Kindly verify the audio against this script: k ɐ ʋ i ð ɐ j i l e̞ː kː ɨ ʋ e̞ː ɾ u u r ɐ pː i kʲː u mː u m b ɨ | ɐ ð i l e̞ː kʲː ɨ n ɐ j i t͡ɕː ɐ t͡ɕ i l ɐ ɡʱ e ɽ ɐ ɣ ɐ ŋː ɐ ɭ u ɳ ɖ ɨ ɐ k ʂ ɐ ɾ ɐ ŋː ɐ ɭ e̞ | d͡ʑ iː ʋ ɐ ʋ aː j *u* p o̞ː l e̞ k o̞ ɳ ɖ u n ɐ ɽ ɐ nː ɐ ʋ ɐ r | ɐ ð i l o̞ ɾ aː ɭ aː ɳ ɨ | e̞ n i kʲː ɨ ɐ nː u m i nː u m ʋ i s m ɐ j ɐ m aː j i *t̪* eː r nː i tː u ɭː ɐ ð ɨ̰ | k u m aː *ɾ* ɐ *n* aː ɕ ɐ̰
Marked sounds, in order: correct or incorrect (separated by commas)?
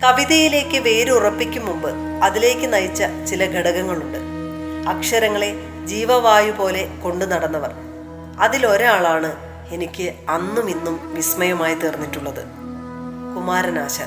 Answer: correct, correct, correct, correct